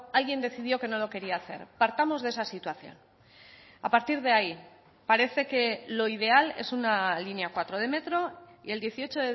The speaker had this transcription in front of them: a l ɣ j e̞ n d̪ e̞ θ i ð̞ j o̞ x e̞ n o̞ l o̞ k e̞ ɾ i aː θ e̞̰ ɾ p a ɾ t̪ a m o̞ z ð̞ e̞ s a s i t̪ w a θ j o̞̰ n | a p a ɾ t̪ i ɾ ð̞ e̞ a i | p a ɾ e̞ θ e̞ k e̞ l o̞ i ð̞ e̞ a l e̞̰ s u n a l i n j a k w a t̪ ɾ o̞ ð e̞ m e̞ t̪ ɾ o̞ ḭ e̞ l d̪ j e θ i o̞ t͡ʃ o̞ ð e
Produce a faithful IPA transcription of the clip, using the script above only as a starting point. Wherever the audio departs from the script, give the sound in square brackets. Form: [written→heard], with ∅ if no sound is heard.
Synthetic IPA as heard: a l ɣ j e̞ n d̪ e̞ θ i ð̞ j o̞ [x→k] e̞ n o̞ l o̞ k e̞ ɾ i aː θ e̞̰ ɾ p a ɾ t̪ a m o̞ z ð̞ e̞ s a s i t̪ w a θ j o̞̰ n | a p a ɾ t̪ i ɾ ð̞ e̞ a i | p a ɾ e̞ θ e̞ k e̞ l o̞ i ð̞ e̞ a l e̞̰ s u n a l i n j a k w a t̪ ɾ o̞ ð e̞ m e̞ t̪ ɾ o̞ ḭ e̞ l d̪ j e θ i o̞ t͡ʃ o̞ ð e